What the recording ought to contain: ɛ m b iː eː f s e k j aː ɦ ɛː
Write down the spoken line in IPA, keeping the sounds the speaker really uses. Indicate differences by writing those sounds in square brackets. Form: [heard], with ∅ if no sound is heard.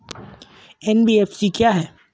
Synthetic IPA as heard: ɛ [n] b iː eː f s [i] k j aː ɦ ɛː